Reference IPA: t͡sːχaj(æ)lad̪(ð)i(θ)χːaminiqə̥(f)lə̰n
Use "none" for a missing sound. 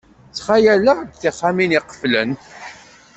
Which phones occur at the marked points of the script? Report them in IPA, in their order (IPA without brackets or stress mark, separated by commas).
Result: æ, θ, none, f